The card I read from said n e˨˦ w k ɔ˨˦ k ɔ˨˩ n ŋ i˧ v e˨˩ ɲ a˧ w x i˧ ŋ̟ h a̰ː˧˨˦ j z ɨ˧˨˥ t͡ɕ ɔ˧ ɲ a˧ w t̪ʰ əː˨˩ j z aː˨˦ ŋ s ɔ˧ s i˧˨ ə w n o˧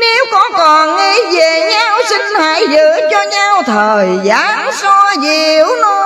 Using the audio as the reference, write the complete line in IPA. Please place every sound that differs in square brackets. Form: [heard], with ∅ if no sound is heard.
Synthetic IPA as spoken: n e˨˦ w k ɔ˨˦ k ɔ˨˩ n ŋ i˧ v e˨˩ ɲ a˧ w [s] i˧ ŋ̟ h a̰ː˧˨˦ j z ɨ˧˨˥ t͡ɕ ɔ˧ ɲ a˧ w t̪ʰ əː˨˩ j z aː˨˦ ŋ s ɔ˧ [z] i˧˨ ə w n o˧